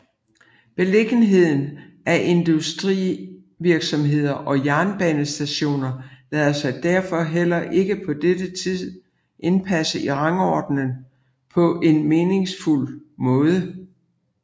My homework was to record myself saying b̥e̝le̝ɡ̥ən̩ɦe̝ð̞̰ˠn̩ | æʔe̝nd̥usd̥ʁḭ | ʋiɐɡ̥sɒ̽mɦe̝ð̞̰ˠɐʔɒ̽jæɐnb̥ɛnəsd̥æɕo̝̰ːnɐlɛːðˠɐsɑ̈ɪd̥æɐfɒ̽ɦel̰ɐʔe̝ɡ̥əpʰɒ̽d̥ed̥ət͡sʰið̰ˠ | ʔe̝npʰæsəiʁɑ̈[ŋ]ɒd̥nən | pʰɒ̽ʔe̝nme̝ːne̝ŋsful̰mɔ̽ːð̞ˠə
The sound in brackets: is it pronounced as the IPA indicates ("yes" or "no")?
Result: yes